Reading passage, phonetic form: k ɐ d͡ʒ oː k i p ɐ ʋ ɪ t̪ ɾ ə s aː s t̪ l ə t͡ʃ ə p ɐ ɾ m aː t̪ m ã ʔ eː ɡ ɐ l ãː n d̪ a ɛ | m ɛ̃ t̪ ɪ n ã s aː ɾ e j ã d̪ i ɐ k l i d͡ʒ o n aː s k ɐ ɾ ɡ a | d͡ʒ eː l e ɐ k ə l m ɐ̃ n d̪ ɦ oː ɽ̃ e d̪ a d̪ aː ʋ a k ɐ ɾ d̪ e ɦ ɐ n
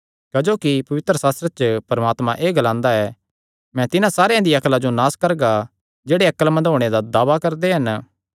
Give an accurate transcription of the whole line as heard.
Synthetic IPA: k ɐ d͡ʒ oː k i p ɐ ʋ ɪ t̪ ɾ ə s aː s t̪ ɾ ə t͡ʃ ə p ɐ ɾ m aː t̪ m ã ʔ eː ɡ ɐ l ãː n d̪ a ɛ | m ɛ̃ t̪ ɪ n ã s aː ɾ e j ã d̪ i ɐ k l a d͡ʒ o n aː s k ɐ ɾ ɡ a | d͡ʒ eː ɽ e ɐ k ə l m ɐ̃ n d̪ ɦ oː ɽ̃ e d̪ a d̪ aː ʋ a k ɐ ɾ d̪ e ɦ ɐ n